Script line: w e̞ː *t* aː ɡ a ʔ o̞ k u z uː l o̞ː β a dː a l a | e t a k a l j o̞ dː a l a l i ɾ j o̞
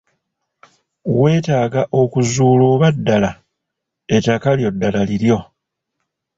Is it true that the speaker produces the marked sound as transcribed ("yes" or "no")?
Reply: yes